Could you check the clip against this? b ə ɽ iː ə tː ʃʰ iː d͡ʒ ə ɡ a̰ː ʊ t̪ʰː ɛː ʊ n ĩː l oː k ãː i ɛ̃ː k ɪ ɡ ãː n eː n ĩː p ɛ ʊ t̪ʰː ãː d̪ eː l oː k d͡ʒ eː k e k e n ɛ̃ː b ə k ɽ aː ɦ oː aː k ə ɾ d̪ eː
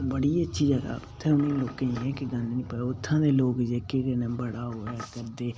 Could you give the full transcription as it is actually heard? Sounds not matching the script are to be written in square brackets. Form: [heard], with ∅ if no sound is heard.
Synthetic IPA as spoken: b ə ɽ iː ə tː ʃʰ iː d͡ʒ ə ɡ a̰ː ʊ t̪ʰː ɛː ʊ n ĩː l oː k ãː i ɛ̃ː k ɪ ɡ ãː n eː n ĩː p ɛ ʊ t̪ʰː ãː d̪ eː l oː k d͡ʒ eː k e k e n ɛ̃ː b ə [∅] ɽ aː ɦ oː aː k ə ɾ d̪ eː